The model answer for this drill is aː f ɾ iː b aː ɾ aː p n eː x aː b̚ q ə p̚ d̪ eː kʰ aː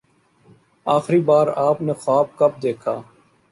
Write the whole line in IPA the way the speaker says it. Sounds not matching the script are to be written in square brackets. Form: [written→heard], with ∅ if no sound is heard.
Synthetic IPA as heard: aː [f→x] ɾ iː b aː ɾ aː p n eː x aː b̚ [q→k] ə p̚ d̪ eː kʰ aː